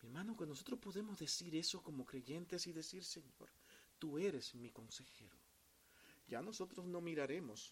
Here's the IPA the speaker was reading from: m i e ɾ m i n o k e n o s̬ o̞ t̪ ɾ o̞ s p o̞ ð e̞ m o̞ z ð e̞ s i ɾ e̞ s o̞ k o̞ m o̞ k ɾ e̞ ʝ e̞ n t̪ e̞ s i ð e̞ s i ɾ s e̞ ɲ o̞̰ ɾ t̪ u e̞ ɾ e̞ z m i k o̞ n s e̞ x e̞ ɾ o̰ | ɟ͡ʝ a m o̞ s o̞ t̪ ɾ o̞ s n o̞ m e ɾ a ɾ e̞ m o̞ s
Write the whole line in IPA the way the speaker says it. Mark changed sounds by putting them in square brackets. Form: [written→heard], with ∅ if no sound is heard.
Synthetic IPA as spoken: m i e ɾ m [i→a] n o k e n o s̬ o̞ t̪ ɾ o̞ s p o̞ ð e̞ m o̞ z ð e̞ s i ɾ e̞ s o̞ k o̞ m o̞ k ɾ e̞ ʝ e̞ n t̪ e̞ s i ð e̞ s i ɾ s e̞ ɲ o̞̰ ɾ t̪ u e̞ ɾ e̞ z m i k o̞ n s e̞ x e̞ ɾ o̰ | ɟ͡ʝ a [m→n] o̞ s o̞ t̪ ɾ o̞ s n o̞ m [e→i] ɾ a ɾ e̞ m o̞ s